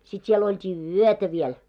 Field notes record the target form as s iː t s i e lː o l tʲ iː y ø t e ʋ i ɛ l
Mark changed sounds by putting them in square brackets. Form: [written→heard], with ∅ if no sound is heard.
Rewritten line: s [iː→i] t s i e [lː→l] o l tʲ iː y ø t [e→æ] ʋ i ɛ l